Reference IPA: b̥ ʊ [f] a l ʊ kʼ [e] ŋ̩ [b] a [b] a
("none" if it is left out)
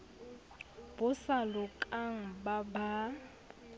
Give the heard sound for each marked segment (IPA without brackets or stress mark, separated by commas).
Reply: s, a, b, b